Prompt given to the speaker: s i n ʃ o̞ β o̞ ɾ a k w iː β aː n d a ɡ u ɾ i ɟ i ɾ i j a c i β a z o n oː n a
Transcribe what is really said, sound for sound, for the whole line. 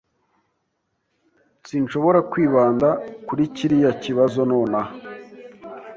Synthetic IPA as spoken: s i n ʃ o̞ β o̞ ɾ a k w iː β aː n d a k u ɾ i c i ɾ i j a c i β a z o n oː n a